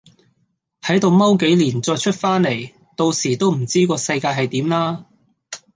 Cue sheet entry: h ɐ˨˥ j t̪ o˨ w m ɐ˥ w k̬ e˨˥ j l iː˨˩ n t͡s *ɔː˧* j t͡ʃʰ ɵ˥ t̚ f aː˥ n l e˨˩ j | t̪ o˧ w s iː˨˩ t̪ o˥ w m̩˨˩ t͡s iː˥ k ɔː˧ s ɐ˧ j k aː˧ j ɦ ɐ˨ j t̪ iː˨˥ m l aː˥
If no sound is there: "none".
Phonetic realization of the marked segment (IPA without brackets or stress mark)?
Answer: ɔː˧